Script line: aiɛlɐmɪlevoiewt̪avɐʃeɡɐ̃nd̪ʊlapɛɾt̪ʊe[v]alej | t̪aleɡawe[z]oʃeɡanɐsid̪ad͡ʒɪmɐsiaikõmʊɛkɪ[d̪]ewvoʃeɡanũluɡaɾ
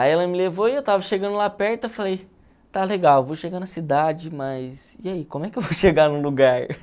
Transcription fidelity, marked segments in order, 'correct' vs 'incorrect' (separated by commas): incorrect, incorrect, incorrect